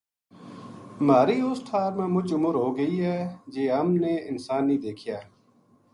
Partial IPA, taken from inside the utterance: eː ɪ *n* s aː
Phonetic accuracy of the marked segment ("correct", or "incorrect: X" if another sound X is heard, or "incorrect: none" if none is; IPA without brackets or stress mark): correct